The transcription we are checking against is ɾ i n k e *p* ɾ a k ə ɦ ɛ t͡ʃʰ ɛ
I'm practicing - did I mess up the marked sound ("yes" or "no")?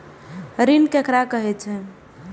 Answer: yes